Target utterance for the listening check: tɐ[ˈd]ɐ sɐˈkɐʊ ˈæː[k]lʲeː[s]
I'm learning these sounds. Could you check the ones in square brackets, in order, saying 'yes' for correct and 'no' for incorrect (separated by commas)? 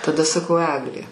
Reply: yes, no, no